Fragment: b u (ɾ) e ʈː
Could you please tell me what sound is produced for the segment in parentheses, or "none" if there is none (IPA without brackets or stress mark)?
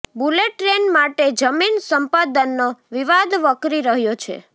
l